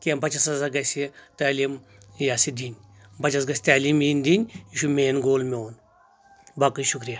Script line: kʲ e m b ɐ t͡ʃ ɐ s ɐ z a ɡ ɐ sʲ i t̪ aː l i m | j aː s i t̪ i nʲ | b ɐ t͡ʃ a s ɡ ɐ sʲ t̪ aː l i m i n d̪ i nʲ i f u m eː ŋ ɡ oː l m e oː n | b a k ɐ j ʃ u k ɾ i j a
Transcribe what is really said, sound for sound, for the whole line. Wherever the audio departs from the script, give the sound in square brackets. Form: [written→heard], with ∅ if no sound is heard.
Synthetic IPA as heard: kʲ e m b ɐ t͡ʃ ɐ s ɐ z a ɡ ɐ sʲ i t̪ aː l i m | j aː s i [t̪→d̪] i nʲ | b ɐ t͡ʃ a s ɡ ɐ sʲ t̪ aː l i m i n d̪ i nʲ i [f→ʃ] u m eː [ŋ→n] ɡ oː l m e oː n | b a k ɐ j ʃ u k ɾ i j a